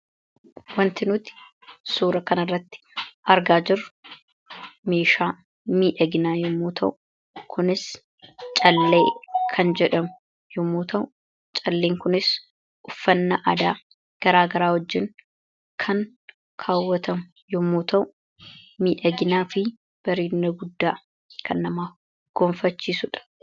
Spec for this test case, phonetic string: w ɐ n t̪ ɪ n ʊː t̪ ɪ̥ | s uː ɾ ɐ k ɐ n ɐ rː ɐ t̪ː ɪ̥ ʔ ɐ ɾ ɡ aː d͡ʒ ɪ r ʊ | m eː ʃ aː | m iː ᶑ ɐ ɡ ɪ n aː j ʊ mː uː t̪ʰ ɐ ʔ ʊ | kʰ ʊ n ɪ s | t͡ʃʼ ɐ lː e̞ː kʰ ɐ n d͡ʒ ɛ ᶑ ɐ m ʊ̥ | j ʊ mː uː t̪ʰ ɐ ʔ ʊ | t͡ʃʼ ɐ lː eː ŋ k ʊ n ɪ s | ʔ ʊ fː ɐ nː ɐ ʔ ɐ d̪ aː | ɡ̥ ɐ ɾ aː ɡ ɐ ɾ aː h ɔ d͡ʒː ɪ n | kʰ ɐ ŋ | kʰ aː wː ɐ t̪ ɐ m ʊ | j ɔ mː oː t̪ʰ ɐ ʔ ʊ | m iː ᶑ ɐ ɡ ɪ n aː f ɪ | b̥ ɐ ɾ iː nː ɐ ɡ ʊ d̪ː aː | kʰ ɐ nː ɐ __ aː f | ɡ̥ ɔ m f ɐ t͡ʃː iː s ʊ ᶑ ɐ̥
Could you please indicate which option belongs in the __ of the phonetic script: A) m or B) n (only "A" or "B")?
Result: A